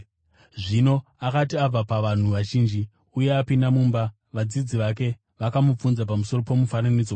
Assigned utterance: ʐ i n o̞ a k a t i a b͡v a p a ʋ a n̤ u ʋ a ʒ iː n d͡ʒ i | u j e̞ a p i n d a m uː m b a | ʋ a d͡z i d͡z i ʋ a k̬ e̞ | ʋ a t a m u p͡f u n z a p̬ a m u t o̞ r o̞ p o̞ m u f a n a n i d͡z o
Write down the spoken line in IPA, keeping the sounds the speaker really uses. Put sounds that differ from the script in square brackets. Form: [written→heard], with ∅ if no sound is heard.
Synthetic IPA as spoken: ʐ i n o̞ a k a t i a b͡v a p a ʋ a n̤ u ʋ a ʒ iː n d͡ʒ i | u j e̞ a p i n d a m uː m b a | ʋ a d͡z i d͡z i ʋ a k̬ e̞ | ʋ a [t→k] a m u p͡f u n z a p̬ a m u [t→s] o̞ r o̞ p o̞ m u f a n a n i d͡z o